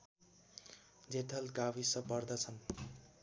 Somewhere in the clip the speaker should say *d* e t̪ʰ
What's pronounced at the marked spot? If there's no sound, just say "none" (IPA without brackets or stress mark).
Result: d͡z